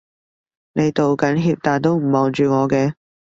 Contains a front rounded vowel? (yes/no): yes